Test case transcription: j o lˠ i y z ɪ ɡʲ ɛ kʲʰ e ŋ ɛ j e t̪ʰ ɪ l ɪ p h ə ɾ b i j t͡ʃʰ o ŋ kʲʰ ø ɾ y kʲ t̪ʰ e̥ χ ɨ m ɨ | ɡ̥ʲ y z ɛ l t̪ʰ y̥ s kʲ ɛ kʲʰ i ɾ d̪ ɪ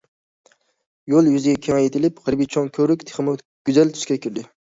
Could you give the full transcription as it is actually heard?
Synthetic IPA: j o lˠ j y z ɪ ɡʲ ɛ kʲʰ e ŋ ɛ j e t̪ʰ ɪ l ɪ p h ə ɾ b i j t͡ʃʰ o ŋ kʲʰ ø ɾ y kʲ t̪ʰ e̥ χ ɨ m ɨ | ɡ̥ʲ y z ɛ l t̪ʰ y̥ ʃ kʲ ɛ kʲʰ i ɾ d̪ ɪ